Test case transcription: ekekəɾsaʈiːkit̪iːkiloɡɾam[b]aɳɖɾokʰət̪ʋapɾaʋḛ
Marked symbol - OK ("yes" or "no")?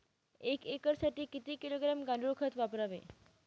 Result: no